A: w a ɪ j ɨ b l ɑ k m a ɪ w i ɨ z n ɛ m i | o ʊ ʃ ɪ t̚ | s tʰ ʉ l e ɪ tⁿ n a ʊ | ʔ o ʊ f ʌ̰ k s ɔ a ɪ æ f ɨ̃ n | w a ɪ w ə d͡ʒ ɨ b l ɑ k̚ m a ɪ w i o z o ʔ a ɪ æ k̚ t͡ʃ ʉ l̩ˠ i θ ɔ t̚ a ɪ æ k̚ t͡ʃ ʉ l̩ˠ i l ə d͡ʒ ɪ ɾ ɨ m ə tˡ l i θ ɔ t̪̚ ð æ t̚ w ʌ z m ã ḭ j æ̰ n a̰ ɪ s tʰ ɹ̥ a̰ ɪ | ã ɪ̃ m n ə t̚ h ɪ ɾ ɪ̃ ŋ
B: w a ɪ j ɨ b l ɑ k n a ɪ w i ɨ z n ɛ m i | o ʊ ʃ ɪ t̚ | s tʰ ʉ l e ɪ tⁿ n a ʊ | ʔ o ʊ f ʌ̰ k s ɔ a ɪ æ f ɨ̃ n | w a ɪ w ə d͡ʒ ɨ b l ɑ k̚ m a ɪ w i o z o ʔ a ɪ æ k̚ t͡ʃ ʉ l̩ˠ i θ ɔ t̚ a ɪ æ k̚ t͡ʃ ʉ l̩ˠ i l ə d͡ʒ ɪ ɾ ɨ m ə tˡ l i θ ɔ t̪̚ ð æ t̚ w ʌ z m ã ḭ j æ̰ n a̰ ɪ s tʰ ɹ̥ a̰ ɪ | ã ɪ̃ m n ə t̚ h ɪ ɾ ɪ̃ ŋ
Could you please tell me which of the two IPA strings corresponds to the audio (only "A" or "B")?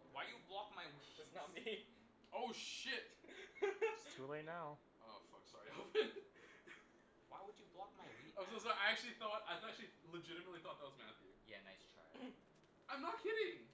A